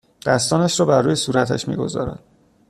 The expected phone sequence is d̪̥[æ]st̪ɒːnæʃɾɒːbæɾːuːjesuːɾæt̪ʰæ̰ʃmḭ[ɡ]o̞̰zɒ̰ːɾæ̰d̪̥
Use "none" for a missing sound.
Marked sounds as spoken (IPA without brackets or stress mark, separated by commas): æ, ɡ